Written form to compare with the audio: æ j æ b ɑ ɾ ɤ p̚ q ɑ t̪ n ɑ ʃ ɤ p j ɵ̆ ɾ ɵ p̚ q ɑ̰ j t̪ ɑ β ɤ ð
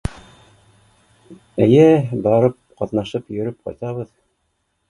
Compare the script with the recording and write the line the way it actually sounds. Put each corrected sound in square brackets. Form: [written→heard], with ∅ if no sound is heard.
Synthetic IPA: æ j æ b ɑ ɾ ɤ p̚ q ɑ t̪ n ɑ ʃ ɤ p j ɵ̆ ɾ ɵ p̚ q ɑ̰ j t̪ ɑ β ɤ ð

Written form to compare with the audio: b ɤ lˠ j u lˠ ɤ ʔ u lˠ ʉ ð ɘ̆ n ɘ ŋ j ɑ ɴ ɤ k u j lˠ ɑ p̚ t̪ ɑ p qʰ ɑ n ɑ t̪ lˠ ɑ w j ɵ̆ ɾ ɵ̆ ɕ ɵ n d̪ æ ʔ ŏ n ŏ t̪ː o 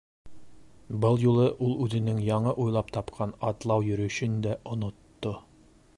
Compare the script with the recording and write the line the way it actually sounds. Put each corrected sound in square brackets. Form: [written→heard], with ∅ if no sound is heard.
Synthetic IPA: b ɤ lˠ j u lˠ ɤ ʔ u lˠ ʉ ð ɘ̆ n ɘ ŋ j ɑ ɴ ɤ [k→ʔ] u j lˠ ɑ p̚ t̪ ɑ p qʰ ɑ n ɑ t̪ lˠ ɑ w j ɵ̆ ɾ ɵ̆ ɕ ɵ n d̪ æ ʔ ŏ n ŏ t̪ː o

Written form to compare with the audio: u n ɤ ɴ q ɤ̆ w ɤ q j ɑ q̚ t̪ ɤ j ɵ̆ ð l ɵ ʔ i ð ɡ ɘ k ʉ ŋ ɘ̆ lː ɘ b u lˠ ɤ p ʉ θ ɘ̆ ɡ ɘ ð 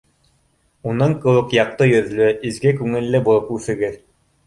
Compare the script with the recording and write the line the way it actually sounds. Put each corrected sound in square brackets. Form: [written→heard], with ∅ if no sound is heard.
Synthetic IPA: u n ɤ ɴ q ɤ̆ w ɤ q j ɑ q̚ t̪ ɤ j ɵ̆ ð l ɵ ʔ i [ð→z] ɡ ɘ k ʉ ŋ ɘ̆ lː ɘ b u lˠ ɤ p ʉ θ ɘ̆ ɡ ɘ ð

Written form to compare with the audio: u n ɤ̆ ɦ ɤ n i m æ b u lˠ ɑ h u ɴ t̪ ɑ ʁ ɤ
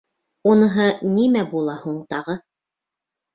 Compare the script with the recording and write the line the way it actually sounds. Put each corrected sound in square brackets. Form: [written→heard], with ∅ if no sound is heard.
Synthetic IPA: u n ɤ̆ ɦ ɤ n i m æ b u lˠ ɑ h u ɴ t̪ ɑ ʁ ɤ

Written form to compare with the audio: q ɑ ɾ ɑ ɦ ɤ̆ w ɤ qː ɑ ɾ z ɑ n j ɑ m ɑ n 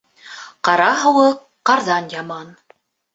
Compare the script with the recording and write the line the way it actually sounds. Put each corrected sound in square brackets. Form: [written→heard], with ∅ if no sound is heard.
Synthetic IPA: q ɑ ɾ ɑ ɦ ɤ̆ w ɤ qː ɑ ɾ [z→ð] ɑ n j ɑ m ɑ n

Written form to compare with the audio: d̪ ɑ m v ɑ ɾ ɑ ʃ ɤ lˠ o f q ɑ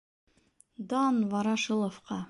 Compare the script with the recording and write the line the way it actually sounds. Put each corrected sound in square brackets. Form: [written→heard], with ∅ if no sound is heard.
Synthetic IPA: d̪ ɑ [m→n] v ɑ ɾ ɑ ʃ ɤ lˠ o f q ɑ

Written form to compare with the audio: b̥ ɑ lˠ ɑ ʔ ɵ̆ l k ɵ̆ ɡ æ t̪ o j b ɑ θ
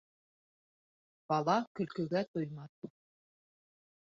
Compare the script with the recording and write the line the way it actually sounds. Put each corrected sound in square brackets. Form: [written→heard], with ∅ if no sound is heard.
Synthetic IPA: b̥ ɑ lˠ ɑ [ʔ→k] ɵ̆ l k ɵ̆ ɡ æ t̪ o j [b→m] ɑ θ

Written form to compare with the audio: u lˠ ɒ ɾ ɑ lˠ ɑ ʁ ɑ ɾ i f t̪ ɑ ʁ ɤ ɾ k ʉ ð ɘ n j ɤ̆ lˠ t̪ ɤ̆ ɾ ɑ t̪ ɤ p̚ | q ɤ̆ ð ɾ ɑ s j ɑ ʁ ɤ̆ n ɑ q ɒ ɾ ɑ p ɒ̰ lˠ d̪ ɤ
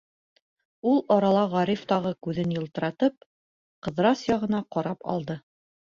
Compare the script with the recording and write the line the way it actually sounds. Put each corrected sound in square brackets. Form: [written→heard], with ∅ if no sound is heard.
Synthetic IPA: u lˠ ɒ ɾ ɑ lˠ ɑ ʁ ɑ ɾ i f t̪ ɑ ʁ ɤ [ɾ→∅] k ʉ ð ɘ n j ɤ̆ lˠ t̪ ɤ̆ ɾ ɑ t̪ ɤ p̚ | q ɤ̆ ð ɾ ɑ s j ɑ ʁ ɤ̆ n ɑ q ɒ ɾ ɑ p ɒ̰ lˠ d̪ ɤ

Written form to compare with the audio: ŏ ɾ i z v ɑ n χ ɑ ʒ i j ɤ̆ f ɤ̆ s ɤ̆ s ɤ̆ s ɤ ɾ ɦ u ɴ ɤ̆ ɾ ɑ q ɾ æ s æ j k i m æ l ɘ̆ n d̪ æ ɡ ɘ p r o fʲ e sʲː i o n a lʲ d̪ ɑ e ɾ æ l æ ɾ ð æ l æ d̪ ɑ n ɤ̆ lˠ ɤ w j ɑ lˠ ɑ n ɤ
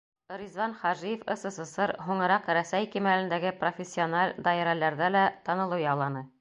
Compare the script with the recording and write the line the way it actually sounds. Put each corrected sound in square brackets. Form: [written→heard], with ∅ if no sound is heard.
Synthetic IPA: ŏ ɾ i z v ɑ n χ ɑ ʒ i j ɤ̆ f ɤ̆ s ɤ̆ s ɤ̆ s ɤ ɾ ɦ u ɴ ɤ̆ ɾ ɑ q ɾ æ s æ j k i m æ l ɘ̆ n d̪ æ ɡ ɘ p r o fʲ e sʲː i o n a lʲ d̪ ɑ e ɾ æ l æ ɾ ð æ l æ [d̪→t̪] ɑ n ɤ̆ lˠ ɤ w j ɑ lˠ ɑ n ɤ

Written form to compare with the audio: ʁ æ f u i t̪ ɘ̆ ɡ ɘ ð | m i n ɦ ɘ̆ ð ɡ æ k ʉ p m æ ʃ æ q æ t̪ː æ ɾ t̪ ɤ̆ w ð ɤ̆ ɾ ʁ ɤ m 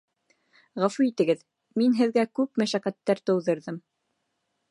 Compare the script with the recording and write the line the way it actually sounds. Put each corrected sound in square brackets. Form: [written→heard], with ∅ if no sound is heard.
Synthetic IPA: ʁ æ f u i t̪ ɘ̆ ɡ ɘ ð | m i n ɦ ɘ̆ ð ɡ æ k ʉ p m æ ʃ æ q æ t̪ː æ ɾ t̪ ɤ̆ w ð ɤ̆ ɾ [ʁ→ð] ɤ m

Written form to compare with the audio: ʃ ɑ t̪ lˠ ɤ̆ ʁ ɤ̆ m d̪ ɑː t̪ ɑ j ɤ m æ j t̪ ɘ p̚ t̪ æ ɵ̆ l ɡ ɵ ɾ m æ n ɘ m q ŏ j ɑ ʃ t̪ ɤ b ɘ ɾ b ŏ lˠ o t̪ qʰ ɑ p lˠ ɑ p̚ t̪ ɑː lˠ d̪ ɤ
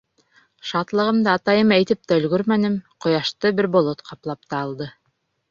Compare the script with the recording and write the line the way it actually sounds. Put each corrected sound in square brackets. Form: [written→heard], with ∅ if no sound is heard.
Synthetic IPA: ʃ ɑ t̪ lˠ ɤ̆ ʁ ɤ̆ m d̪ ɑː t̪ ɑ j ɤ m æ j t̪ ɘ p̚ t̪ æ ɵ̆ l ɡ ɵ ɾ m æ n ɘ m q ŏ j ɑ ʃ t̪ ɤ b ɘ ɾ b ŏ lˠ o t̪ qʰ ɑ p lˠ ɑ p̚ t̪ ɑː lˠ d̪ ɤ

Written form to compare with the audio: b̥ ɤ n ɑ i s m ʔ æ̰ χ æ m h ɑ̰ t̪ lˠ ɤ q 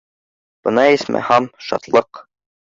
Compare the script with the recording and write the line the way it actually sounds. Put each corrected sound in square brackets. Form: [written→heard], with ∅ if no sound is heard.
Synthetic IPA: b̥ ɤ n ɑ i s m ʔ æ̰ [χ→h] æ m [h→ʃ] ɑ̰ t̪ lˠ ɤ q

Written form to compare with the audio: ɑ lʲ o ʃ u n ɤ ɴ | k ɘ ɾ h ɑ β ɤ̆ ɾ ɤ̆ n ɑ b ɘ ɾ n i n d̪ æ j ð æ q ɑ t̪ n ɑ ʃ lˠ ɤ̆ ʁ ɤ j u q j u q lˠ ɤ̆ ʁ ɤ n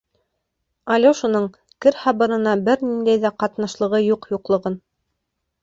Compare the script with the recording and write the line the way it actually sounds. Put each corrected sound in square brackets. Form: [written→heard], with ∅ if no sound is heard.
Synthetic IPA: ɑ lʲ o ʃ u n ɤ ɴ | k ɘ ɾ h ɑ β ɤ̆ ɾ ɤ̆ n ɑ b ɘ ɾ n i n d̪ æ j ð æ q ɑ t̪ n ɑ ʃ lˠ ɤ̆ ʁ ɤ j u q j u q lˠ ɤ̆ ʁ ɤ n

